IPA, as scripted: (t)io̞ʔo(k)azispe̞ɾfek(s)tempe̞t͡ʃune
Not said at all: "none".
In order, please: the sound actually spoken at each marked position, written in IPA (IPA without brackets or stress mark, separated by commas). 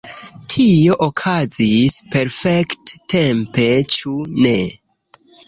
tʰ, kʰ, t